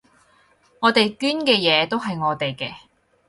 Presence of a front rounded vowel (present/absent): present